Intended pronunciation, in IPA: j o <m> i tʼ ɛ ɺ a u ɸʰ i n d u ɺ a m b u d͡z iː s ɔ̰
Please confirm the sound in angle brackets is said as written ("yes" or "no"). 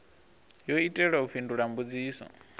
no